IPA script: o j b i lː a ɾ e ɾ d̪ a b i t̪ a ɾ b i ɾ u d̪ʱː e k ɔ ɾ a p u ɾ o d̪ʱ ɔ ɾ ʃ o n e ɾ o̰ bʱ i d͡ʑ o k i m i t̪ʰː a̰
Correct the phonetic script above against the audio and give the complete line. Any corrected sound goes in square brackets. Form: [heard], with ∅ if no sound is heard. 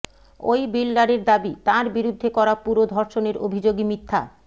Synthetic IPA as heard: o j b i lː a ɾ e ɾ d̪ a b i t̪ a ɾ b i ɾ u d̪ʱː e k ɔ ɾ a p u ɾ o d̪ʱ ɔ ɾ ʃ o n e ɾ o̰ bʱ i d͡ʑ o [ɡ] i m i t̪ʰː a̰